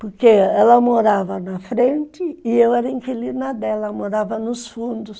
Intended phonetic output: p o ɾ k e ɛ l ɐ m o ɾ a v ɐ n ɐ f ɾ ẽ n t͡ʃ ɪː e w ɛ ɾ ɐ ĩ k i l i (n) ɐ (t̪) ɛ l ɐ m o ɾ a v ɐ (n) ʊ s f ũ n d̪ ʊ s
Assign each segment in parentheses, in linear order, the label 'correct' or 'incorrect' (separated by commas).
correct, incorrect, correct